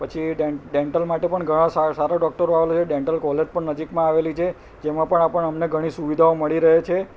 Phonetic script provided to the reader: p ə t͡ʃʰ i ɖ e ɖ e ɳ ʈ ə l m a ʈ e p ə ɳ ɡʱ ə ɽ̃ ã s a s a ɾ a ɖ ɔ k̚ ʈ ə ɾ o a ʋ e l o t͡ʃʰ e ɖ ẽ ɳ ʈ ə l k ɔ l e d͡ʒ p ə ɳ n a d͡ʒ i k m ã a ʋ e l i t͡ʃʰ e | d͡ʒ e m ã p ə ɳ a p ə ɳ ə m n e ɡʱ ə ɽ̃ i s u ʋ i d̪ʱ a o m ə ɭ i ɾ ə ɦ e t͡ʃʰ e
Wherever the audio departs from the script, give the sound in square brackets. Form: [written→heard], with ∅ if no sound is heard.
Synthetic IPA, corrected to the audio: p ə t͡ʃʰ i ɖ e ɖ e ɳ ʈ ə l m a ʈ e p ə ɳ ɡʱ ə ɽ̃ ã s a s a ɾ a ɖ ɔ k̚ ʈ ə ɾ o a ʋ e l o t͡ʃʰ e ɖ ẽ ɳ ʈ ə l k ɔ l e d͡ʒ p ə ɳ n [a→ə] d͡ʒ i k m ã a ʋ e l i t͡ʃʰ e | d͡ʒ e m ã p ə ɳ a p ə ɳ ə m n e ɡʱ ə ɽ̃ i s u ʋ i d̪ʱ a o m ə ɭ i ɾ ə ɦ e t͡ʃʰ e